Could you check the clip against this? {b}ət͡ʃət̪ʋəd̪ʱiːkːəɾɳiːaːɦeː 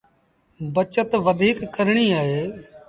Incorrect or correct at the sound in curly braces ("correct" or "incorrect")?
correct